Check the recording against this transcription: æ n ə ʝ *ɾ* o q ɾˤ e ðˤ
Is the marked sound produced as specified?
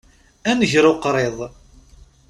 yes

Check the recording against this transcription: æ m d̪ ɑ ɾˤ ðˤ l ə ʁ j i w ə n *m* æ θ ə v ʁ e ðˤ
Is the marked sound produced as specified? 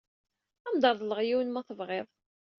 yes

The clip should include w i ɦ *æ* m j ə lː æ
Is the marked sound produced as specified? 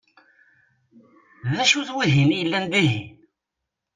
no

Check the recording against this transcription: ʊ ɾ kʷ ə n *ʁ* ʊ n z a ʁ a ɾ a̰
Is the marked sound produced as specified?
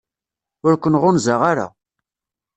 yes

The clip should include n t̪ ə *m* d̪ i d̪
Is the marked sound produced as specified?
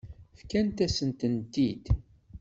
no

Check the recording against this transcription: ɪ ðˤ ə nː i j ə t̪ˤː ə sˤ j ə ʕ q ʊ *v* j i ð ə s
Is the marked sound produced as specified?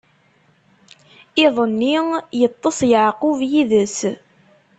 yes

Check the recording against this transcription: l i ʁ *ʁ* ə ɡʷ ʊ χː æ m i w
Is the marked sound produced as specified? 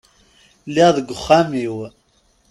no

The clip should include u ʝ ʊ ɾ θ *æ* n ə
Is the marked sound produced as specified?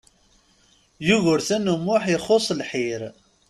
yes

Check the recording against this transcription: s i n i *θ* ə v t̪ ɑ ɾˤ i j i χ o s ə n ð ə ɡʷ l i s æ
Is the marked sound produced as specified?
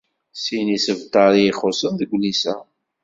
no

